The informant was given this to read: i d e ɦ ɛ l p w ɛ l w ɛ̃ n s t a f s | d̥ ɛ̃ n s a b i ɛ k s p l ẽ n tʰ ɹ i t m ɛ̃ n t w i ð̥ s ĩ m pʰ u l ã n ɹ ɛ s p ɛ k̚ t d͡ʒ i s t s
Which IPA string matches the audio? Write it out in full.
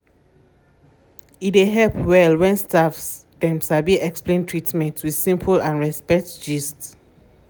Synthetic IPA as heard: i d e ɦ ɛ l p w ɛ l w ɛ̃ n s t a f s | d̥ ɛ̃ m s a b i ɛ k s p l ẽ n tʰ ɹ i t m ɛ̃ n t w i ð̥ s ĩ m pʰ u l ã n ɹ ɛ s p ɛ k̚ t d͡ʒ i s t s

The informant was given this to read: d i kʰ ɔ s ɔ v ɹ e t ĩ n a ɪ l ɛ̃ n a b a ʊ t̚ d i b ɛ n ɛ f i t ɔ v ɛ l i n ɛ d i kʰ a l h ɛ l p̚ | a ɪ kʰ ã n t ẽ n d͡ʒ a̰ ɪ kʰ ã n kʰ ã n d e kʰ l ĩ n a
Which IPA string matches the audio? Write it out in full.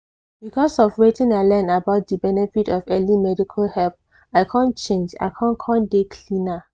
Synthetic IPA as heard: b i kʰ ɔ s ɔ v ɹ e t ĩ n a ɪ l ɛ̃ n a b a ʊ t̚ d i b ɛ n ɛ f i t ɔ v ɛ l i m ɛ d i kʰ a l h ɛ l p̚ | a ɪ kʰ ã n t͡ʃ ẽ n d͡ʒ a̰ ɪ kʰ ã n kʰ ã n d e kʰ l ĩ n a

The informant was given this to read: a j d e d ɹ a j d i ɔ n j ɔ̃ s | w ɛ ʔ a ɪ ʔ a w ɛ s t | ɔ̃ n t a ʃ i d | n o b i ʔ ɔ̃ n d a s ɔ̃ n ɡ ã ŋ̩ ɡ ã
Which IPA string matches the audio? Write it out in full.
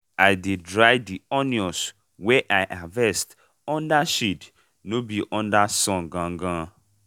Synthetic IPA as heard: a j d e d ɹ a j d i ɔ n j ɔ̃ s | w ɛ ʔ a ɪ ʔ a v ɛ s t | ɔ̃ n d a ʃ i d | n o b i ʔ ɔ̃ n d a s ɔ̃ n ɡ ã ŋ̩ ɡ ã

